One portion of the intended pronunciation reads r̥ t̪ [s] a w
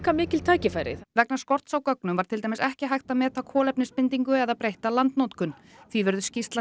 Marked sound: correct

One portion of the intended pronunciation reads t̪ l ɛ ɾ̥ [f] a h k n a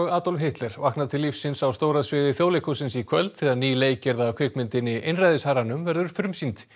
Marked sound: incorrect: v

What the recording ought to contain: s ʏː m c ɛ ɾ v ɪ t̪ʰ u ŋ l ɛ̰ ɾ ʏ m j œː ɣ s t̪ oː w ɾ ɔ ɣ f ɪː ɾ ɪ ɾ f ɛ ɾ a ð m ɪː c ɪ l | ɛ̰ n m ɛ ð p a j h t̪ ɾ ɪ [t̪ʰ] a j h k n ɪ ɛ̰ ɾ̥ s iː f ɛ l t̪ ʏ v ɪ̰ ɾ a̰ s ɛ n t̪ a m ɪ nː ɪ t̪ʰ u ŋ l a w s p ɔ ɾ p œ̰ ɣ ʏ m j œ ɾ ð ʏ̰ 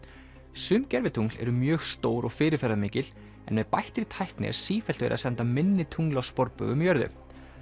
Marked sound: correct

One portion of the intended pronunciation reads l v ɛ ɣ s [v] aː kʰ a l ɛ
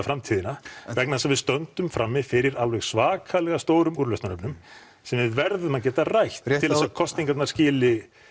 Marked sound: correct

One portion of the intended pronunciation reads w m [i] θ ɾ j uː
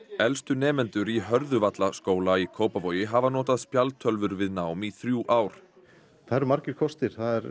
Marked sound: correct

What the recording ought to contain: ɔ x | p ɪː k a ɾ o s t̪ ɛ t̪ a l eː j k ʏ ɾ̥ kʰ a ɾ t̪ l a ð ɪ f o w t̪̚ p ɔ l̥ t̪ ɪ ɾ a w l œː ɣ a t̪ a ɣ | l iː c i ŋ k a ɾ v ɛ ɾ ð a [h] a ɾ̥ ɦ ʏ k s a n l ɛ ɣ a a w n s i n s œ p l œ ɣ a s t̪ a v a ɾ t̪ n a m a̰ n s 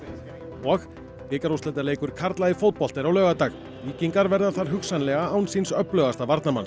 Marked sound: incorrect: θ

